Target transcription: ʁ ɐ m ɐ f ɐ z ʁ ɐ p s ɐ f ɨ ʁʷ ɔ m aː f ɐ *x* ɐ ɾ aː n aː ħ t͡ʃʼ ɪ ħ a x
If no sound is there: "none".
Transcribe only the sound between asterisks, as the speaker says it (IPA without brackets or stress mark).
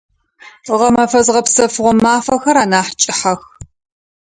x